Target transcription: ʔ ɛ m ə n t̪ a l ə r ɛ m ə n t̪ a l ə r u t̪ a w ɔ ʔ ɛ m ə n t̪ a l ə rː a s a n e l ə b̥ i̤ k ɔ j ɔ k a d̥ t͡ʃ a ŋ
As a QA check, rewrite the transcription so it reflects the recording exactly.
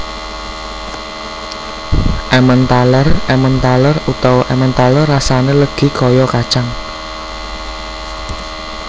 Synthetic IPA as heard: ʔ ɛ m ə n t̪ a l ə r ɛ m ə n t̪ a l ə r u t̪ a w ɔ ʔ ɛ m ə n t̪ a l ə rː a s a n e l ə ɡ̥ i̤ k ɔ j ɔ k a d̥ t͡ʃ a ŋ